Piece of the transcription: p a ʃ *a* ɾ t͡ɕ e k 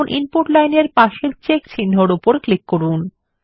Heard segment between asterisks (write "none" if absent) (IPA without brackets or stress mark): e